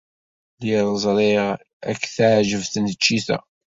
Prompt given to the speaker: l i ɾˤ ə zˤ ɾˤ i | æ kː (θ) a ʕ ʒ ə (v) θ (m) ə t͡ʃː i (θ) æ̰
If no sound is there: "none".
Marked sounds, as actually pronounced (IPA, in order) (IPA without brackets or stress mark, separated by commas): θ, v, n, θ